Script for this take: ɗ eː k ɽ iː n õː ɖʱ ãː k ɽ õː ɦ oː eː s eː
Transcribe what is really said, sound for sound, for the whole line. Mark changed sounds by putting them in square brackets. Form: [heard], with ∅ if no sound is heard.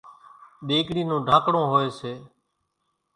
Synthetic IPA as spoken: ɗ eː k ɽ iː n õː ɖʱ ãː k ɽ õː ɦ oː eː s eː